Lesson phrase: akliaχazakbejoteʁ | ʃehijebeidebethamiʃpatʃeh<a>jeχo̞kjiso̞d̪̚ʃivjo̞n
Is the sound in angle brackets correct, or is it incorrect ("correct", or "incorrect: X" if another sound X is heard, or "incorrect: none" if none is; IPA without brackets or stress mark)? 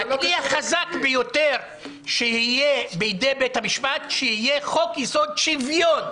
incorrect: i